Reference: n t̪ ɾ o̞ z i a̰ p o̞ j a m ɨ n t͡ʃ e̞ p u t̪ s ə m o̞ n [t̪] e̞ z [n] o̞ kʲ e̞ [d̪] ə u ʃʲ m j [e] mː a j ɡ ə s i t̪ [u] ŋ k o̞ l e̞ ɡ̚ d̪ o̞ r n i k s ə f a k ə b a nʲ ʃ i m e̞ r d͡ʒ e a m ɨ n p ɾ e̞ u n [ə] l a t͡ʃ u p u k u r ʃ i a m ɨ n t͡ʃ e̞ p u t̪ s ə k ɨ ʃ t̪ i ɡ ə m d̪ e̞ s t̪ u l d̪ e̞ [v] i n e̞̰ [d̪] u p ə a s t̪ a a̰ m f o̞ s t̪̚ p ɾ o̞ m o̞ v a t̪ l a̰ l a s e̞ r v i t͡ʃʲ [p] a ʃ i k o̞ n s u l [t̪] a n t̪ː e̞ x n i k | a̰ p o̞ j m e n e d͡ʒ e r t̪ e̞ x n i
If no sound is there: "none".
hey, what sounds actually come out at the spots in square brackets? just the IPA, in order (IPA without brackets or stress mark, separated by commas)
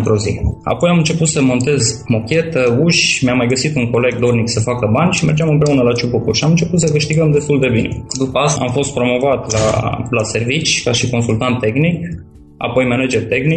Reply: t̪, m, t̪, a, u, ə, b, d̪, k, t̪